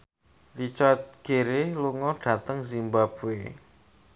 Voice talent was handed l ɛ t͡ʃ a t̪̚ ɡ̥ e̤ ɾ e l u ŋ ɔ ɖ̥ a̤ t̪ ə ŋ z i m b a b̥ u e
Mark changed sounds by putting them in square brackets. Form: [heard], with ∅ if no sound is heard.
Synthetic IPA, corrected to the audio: l [i] t͡ʃ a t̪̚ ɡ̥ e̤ ɾ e l u ŋ ɔ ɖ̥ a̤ t̪ ə ŋ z i m b a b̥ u e